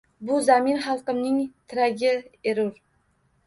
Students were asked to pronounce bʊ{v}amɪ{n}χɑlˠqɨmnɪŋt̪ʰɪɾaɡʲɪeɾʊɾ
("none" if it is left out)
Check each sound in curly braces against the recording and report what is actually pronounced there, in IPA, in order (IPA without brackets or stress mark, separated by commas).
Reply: z, n